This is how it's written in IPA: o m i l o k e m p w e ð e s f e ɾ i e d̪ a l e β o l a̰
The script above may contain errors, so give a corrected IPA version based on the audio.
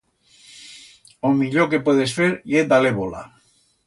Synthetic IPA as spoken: o m i ʎ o k e p w e ð e s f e ɾ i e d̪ a l e β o l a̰